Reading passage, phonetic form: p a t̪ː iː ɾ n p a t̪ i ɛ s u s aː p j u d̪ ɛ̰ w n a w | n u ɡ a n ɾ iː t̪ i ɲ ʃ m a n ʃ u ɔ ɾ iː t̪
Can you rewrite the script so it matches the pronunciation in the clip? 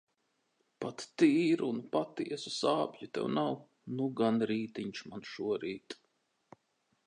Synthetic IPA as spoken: p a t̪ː iː ɾ n p a t̪ i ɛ s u s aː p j u t̪ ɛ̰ w n a w | n u ɡ a n ɾ iː t̪ i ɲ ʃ m a n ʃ u ɔ ɾ iː t̪